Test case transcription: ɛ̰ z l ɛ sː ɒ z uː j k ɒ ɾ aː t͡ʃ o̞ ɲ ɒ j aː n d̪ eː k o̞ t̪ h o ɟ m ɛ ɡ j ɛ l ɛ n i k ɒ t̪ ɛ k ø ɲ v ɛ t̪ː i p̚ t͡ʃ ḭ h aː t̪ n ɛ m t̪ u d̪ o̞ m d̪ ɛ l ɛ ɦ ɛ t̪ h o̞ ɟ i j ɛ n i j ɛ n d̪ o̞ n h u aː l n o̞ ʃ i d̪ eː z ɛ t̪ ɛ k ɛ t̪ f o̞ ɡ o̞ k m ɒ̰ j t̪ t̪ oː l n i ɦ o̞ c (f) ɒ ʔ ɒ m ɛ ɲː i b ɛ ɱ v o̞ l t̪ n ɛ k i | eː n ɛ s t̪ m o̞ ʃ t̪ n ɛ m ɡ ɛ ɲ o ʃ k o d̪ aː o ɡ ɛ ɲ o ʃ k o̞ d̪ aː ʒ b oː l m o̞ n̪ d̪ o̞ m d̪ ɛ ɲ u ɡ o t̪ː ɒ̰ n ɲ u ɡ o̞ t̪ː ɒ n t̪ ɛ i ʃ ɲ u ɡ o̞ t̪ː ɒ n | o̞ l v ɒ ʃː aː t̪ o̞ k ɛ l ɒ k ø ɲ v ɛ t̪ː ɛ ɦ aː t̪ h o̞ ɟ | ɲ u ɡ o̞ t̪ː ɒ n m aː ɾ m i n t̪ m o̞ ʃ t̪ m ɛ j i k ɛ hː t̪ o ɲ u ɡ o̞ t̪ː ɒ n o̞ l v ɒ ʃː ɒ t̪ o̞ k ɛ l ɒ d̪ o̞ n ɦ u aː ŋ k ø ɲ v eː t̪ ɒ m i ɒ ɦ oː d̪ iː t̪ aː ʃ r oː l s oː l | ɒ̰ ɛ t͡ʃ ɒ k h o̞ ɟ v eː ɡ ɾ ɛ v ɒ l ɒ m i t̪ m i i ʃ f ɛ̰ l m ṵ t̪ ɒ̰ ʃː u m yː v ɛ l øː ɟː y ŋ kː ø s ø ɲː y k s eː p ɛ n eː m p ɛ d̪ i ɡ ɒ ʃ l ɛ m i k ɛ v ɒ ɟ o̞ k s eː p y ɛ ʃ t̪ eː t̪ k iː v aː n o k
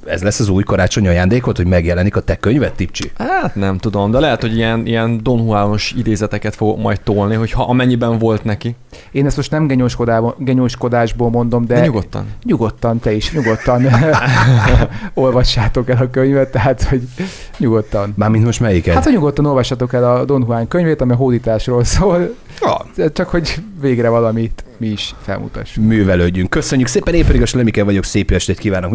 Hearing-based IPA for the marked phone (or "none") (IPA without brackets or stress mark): h